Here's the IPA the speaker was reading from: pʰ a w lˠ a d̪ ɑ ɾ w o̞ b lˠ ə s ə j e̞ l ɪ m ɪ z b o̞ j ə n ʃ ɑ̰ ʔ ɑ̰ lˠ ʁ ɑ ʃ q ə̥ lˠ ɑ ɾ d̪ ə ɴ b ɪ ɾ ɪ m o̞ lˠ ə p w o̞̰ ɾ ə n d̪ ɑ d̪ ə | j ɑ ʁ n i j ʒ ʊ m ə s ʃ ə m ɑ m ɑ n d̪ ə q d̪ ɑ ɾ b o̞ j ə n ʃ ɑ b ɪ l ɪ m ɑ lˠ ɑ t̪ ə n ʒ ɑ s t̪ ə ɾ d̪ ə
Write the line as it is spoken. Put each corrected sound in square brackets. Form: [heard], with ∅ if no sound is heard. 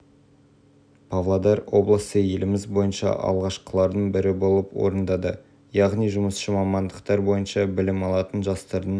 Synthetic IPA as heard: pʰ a [v] lˠ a d̪ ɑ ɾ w o̞ b lˠ ə s ə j e̞ l ɪ m ɪ z b o̞ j ə n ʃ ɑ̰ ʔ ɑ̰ lˠ ʁ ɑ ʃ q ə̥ lˠ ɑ ɾ d̪ ə ɴ b ɪ ɾ ɪ [b] o̞ lˠ ə p w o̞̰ ɾ ə n d̪ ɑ d̪ ə | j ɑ ʁ n i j ʒ ʊ m ə s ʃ ə m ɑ m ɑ n d̪ ə q [t̪] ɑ ɾ b o̞ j ə n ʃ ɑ b ɪ l ɪ m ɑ lˠ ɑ t̪ ə n ʒ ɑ s t̪ [ɑ] ɾ d̪ ə